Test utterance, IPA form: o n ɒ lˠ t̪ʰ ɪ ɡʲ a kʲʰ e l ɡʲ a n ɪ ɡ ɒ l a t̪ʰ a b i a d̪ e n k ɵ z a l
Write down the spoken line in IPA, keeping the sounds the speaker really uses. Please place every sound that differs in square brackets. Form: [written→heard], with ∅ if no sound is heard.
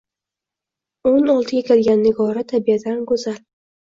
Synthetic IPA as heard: o n ɒ lˠ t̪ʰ ɪ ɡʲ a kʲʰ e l ɡʲ a [n→nː] ɪ ɡ ɒ [l→ɾ] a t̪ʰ a b i a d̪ [e→a] n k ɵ z a l